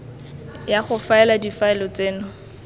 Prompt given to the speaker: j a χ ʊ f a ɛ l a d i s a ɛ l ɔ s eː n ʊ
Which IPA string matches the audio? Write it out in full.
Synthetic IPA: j a χ ʊ f a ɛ l a d i f a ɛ l ɔ t͡s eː n ʊ